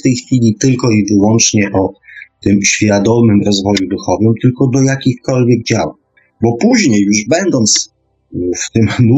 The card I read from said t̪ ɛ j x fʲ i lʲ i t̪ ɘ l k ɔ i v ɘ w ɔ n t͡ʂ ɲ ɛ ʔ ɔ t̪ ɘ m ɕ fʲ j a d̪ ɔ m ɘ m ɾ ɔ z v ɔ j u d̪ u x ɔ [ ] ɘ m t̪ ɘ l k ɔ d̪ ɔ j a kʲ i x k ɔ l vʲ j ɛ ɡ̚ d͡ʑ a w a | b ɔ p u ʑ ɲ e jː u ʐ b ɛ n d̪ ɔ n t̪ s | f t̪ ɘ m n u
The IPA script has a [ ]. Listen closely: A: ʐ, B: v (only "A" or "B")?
B